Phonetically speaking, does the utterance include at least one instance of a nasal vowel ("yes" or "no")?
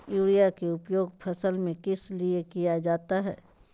yes